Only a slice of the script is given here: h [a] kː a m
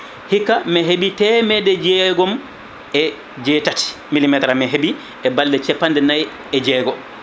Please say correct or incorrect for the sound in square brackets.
incorrect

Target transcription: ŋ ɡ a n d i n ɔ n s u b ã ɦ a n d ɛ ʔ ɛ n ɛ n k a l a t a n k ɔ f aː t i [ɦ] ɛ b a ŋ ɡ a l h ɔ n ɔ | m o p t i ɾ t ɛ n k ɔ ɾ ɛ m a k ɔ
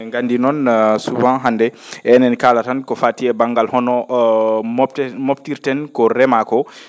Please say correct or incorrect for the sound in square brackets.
incorrect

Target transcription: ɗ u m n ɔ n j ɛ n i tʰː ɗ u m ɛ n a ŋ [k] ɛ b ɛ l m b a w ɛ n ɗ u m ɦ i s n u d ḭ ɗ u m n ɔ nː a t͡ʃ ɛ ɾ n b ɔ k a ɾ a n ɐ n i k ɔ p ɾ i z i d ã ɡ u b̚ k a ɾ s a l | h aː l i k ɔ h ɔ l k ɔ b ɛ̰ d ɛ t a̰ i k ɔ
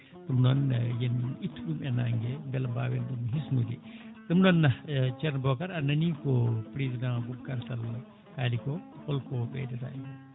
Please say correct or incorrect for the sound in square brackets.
incorrect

